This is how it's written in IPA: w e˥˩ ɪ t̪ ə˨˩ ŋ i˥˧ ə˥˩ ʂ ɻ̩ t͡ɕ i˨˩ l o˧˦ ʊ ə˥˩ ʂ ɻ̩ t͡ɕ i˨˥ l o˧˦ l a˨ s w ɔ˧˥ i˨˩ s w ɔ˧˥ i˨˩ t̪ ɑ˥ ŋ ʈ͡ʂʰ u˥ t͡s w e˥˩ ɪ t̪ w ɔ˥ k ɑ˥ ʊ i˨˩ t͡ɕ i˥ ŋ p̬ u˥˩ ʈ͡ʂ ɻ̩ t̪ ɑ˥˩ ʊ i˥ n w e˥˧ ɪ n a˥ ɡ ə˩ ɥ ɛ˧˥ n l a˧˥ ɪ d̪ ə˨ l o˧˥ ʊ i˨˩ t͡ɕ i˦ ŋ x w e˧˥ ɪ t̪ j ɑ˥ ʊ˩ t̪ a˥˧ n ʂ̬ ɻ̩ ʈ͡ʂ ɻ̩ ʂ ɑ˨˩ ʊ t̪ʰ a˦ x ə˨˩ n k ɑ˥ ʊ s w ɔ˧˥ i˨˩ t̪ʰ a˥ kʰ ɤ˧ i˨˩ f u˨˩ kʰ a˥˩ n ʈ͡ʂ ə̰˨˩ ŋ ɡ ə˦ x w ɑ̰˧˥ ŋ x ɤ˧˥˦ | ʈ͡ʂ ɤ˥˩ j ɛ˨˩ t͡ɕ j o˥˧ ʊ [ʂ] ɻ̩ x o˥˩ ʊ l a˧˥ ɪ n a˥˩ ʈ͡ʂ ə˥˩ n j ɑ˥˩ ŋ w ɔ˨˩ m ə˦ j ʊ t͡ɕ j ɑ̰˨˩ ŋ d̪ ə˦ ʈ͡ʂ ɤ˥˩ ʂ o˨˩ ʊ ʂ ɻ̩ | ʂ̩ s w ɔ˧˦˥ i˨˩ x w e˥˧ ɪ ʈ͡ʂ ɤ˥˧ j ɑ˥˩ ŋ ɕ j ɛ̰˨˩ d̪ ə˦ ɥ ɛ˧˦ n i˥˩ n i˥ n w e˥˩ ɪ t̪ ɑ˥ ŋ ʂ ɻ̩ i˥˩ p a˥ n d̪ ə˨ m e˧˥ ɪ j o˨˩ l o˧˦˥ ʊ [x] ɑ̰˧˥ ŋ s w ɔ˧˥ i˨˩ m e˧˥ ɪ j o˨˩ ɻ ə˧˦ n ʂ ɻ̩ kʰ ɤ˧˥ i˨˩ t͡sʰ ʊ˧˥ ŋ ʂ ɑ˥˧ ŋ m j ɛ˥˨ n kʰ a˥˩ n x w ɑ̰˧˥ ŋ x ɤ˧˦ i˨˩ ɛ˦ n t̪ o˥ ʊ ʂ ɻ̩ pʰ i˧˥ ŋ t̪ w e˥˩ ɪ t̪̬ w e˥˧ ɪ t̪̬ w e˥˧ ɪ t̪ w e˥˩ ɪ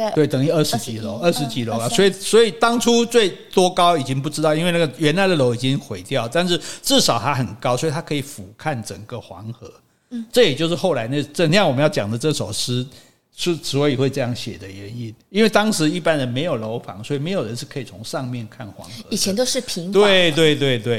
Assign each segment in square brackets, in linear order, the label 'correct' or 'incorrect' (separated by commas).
correct, incorrect